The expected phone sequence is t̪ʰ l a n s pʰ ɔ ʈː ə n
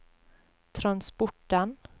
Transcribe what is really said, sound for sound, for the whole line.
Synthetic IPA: t̪ʰ ɾ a n s p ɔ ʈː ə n